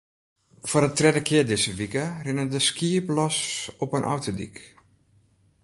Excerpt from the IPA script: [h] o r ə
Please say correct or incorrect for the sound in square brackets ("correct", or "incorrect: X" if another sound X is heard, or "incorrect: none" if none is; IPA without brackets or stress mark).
incorrect: f